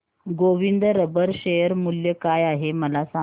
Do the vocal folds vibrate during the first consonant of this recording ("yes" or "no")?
yes